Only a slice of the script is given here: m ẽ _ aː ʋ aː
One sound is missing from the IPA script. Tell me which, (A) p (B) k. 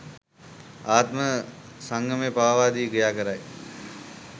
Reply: A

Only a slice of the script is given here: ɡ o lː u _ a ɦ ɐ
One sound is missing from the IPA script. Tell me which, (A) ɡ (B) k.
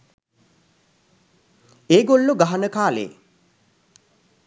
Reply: A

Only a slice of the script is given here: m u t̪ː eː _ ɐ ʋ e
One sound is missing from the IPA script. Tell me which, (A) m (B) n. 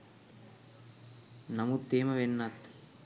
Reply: A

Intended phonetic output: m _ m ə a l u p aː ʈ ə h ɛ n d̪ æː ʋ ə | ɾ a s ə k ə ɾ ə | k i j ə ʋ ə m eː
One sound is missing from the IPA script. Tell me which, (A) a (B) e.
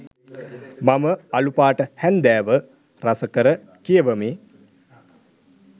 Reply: A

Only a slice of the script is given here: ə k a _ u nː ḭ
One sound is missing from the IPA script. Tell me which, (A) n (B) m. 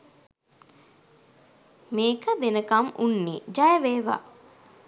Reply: B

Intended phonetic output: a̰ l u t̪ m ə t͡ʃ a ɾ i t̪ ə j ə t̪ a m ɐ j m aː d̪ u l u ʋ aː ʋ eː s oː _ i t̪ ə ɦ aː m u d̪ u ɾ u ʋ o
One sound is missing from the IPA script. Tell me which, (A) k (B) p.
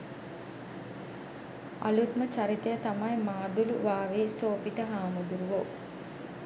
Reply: B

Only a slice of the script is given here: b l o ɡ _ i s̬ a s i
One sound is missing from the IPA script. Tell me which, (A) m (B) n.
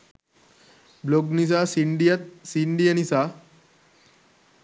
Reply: B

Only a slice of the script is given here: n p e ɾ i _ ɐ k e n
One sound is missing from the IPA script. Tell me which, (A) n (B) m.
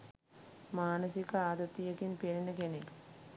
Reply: A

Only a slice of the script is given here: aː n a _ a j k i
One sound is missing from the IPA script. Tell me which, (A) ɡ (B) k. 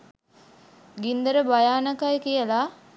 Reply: B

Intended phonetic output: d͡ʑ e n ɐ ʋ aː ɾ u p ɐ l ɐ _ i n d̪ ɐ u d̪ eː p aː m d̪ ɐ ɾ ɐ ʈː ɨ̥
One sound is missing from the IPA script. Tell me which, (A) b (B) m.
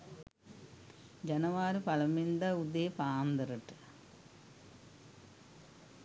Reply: B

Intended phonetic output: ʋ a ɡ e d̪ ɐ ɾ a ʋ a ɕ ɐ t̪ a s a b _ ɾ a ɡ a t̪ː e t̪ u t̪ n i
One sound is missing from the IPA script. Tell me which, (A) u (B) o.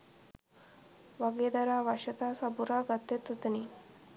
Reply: A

